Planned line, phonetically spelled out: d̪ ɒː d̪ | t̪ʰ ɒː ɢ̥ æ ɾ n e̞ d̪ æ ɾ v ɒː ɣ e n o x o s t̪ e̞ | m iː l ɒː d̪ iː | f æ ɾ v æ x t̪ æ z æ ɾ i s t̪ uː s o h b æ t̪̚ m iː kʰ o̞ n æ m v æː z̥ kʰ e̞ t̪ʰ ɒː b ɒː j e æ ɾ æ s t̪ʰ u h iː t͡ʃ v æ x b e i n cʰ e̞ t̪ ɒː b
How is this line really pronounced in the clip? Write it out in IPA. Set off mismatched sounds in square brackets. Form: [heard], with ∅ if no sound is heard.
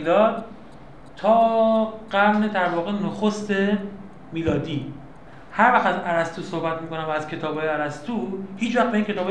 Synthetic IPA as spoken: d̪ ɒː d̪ | t̪ʰ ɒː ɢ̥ æ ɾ n e̞ d̪ æ ɾ v ɒː ɣ e n o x o s t̪ e̞ | m iː l ɒː d̪ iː | [h] æ ɾ v æ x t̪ æ z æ ɾ [æ] s t̪ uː s o h b æ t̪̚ m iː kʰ o̞ n æ m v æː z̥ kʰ e̞ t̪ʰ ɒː b ɒː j e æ ɾ æ s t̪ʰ u h iː t͡ʃ v æ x b e i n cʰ e̞ t̪ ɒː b